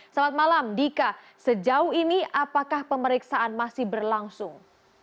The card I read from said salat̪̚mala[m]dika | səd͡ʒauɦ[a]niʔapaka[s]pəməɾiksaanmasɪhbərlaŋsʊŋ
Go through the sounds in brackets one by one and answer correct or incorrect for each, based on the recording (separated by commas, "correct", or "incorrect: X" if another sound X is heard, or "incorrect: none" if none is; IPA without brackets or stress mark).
correct, incorrect: i, incorrect: h